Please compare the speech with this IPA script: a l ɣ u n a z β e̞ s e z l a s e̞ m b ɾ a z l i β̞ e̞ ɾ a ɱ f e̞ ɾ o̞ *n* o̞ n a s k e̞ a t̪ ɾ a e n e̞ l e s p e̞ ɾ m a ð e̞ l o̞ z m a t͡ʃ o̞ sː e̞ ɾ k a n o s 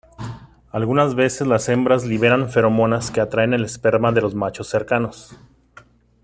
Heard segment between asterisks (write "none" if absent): m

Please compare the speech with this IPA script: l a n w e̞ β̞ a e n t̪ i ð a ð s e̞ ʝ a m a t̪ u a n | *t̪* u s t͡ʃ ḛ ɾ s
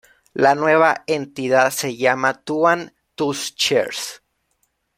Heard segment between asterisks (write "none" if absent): t̪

